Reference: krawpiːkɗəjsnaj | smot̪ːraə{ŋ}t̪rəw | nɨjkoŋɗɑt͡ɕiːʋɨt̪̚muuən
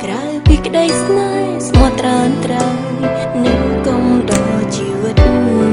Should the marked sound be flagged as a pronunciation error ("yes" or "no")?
yes